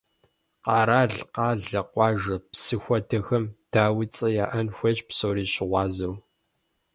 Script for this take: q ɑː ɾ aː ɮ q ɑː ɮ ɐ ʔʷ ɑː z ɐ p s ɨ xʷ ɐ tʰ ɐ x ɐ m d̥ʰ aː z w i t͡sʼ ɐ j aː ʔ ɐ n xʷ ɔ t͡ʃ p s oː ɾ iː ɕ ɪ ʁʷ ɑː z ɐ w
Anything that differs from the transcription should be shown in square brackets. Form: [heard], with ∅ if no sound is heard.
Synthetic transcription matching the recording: q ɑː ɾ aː ɮ q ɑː ɮ ɐ [qʷ] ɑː [ʒ] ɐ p s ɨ xʷ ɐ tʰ ɐ x ɐ m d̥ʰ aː [∅] w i t͡sʼ ɐ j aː ʔ ɐ n xʷ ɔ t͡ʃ p s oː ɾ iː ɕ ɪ ʁʷ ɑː z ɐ w